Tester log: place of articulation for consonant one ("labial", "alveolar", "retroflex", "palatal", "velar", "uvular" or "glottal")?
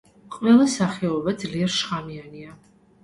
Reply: uvular